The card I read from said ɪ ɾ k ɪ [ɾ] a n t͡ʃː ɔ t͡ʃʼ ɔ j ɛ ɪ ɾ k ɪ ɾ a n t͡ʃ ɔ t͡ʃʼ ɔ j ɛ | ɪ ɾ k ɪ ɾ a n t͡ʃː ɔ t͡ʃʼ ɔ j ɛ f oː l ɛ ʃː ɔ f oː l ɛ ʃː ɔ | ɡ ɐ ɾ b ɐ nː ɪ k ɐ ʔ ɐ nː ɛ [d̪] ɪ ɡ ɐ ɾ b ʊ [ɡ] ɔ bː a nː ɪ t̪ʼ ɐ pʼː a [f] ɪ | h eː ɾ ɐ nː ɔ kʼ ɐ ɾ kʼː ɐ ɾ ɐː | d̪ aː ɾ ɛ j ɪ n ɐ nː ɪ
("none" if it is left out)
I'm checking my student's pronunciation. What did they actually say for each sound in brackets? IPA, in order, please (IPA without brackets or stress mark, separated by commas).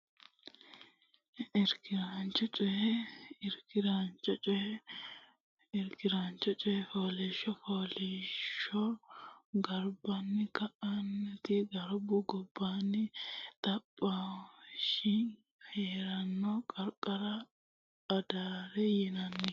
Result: ɾ, t̪, ɡ, ʃ